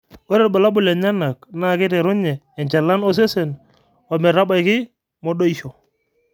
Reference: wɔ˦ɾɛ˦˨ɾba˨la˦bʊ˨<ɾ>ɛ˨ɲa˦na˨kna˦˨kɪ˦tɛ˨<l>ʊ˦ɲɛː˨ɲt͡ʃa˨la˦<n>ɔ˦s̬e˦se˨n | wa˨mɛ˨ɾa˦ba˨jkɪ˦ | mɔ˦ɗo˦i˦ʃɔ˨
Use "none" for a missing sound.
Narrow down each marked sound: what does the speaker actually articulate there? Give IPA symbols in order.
l, ɾ, n

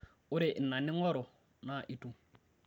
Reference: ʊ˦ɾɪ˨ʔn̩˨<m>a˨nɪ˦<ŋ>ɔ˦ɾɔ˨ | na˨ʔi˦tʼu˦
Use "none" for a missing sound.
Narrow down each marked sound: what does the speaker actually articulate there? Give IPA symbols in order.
n, ŋ

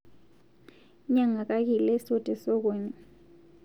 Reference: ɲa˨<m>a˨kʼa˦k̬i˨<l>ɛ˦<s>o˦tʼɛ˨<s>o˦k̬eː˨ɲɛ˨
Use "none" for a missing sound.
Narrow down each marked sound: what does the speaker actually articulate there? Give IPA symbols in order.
ŋ, l, s, s

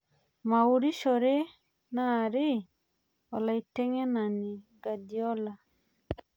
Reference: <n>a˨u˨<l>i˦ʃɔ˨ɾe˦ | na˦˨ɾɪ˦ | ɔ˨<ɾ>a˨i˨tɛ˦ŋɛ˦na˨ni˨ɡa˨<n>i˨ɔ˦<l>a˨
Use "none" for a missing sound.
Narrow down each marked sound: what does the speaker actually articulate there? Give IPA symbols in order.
m, ɾ, l, d, l

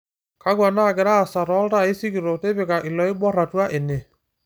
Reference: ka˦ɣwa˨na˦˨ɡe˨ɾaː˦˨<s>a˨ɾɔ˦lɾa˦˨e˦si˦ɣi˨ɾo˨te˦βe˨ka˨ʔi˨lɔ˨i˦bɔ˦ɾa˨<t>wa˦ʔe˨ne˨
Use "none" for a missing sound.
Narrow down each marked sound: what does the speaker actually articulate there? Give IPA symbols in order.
s, t

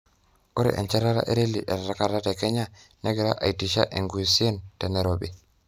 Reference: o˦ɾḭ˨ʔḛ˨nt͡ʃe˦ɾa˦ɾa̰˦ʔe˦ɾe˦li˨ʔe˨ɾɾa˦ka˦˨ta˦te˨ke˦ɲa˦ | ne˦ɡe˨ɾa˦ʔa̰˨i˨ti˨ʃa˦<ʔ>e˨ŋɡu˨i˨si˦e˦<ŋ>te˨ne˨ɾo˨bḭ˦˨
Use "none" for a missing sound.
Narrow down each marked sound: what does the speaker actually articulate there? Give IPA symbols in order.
ʔ, n

